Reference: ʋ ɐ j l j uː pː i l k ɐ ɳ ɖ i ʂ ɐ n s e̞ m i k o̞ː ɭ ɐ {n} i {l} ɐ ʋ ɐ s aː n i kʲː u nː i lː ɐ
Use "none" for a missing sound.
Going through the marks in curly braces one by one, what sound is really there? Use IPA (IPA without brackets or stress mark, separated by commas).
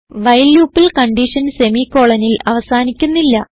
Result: n, l